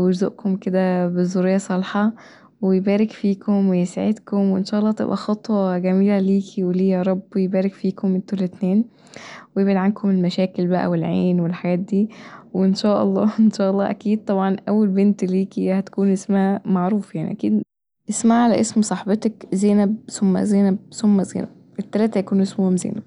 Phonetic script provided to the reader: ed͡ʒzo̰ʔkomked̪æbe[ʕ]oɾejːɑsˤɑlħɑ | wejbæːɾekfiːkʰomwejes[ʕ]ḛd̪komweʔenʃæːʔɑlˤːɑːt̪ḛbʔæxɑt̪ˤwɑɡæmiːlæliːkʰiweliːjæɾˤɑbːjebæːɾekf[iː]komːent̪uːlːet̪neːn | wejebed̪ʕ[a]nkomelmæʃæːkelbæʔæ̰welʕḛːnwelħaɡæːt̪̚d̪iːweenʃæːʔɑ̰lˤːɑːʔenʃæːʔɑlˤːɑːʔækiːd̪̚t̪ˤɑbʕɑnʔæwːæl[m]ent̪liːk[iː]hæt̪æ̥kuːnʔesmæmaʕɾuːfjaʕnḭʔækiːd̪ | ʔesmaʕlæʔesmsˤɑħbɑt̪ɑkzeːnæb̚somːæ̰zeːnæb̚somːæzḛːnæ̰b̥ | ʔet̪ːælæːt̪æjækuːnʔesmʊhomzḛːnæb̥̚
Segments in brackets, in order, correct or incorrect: incorrect, correct, correct, correct, incorrect, incorrect

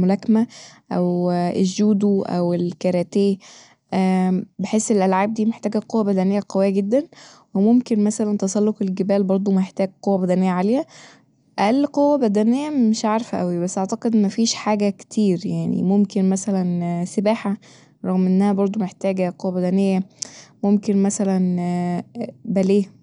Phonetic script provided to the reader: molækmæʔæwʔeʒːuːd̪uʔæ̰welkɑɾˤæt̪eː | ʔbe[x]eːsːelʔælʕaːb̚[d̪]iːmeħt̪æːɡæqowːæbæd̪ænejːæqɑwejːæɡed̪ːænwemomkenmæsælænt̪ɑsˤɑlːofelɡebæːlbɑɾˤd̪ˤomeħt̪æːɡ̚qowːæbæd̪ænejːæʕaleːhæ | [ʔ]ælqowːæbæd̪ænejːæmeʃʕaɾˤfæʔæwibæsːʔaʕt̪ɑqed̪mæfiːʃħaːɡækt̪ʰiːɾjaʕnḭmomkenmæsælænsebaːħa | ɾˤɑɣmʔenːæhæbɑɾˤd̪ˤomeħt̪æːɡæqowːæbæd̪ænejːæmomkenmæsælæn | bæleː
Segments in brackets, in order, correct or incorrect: incorrect, correct, correct

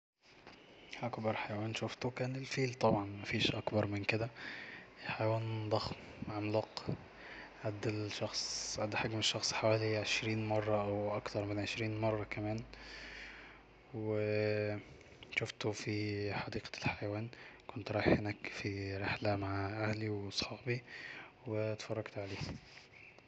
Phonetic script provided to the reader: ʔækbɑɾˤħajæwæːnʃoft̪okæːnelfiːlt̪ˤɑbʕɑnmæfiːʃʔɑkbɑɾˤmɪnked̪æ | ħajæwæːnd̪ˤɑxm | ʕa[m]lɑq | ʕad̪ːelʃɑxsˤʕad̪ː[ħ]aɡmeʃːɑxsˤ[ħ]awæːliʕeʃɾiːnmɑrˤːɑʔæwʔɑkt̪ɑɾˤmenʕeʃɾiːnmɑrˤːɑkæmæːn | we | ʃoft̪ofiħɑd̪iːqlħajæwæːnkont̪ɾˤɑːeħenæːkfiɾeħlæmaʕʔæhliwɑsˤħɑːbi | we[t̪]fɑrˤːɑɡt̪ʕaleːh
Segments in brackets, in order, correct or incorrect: correct, correct, correct, correct

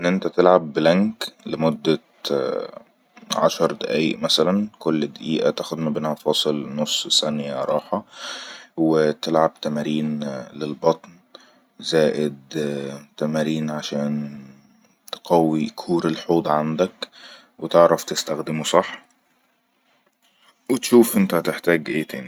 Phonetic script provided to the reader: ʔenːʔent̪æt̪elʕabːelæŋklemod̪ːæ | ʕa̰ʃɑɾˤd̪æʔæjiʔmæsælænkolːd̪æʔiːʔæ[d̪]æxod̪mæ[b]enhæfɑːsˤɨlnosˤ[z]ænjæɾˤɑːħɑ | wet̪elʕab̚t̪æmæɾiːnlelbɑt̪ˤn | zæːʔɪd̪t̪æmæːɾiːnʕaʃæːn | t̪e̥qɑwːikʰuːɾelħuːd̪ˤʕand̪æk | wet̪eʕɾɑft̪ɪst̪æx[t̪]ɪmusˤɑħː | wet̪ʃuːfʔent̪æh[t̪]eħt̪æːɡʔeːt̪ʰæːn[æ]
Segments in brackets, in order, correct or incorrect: incorrect, correct, incorrect, incorrect, correct, incorrect

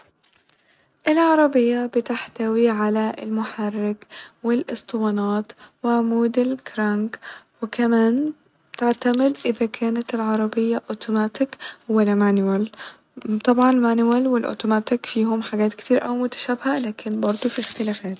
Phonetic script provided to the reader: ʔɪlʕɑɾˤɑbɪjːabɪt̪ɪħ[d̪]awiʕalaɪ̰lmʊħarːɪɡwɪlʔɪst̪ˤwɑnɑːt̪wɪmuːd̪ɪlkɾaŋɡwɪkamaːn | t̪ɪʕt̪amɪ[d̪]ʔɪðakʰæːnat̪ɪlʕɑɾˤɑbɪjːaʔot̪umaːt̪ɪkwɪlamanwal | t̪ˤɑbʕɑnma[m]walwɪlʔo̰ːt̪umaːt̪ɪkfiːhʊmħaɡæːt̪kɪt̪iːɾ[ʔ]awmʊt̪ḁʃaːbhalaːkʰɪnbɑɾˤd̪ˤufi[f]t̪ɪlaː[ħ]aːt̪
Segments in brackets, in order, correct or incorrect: incorrect, correct, incorrect, correct, incorrect, incorrect

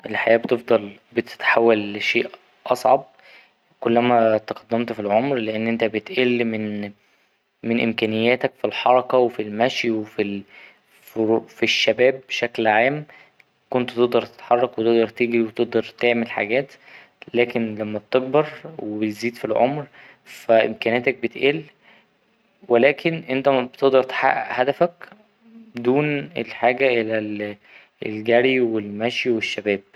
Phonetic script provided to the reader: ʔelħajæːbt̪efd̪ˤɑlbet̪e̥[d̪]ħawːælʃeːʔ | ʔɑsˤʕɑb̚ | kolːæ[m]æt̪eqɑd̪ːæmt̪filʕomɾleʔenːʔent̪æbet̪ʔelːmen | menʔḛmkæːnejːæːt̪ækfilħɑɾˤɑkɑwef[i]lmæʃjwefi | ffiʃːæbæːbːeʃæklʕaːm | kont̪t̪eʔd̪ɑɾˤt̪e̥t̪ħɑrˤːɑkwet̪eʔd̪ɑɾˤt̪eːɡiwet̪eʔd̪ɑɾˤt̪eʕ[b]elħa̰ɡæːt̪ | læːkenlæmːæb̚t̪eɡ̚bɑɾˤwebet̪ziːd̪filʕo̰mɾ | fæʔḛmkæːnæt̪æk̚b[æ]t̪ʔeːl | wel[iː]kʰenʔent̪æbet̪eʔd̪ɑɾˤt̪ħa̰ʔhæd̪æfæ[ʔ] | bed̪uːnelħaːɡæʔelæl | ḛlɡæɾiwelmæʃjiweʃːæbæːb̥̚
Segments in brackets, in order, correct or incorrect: incorrect, correct, correct, incorrect, incorrect, incorrect, incorrect

